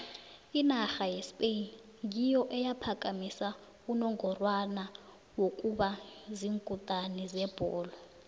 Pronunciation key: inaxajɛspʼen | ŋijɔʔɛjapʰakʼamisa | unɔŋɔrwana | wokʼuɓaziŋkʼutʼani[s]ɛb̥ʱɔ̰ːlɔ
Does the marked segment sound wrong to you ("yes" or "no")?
yes